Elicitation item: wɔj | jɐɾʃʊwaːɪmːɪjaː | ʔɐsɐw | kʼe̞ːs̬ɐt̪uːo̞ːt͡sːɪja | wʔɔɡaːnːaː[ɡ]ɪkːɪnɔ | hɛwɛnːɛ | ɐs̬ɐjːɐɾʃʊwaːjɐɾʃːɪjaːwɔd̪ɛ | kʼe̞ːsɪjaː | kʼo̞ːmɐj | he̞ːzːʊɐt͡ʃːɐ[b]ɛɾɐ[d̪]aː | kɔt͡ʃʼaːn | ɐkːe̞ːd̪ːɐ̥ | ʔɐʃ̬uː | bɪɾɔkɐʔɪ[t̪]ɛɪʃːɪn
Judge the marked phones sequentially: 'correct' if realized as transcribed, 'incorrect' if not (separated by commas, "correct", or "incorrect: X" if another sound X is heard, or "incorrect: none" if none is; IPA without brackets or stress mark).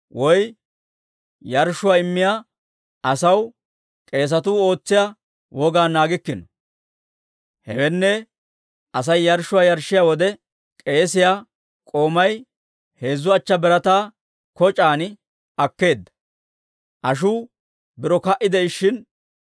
correct, correct, incorrect: t̪, incorrect: d̪